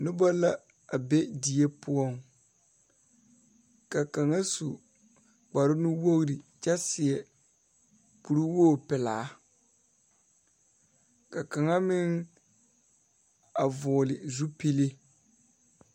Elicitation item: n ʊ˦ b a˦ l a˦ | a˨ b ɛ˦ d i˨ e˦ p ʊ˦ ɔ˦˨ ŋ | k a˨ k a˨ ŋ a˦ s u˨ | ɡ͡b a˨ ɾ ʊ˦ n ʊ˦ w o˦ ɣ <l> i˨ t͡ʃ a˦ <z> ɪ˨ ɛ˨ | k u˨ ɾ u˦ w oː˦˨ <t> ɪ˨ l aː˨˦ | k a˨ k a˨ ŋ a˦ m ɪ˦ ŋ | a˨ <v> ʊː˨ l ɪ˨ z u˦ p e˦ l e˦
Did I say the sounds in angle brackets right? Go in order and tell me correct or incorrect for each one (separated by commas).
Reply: incorrect, incorrect, incorrect, correct